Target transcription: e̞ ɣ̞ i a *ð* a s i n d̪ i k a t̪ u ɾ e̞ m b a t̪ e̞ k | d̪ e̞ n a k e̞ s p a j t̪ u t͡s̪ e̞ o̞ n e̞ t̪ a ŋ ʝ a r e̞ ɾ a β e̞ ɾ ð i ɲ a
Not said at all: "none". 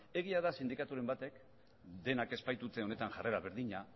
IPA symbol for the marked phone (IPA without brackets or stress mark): ð